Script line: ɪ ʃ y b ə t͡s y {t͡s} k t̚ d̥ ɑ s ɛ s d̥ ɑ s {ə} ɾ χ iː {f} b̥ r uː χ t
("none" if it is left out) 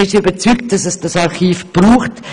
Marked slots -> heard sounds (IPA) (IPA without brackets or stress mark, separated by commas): none, ɑ, f